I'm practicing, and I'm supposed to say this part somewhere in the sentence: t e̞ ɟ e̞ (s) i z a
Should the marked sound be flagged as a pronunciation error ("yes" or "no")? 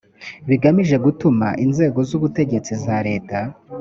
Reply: yes